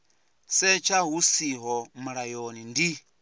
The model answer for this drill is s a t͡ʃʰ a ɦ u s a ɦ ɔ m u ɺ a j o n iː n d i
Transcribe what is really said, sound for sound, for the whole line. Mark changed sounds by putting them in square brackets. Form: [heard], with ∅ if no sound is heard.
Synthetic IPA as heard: s [ɛ] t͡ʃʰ a ɦ u s [i] ɦ ɔ m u ɺ a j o n [i] n d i